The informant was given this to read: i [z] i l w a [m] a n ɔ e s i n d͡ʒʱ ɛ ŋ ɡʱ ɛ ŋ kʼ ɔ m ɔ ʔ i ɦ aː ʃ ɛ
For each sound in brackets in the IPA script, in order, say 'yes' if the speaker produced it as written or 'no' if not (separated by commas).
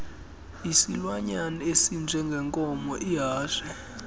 no, no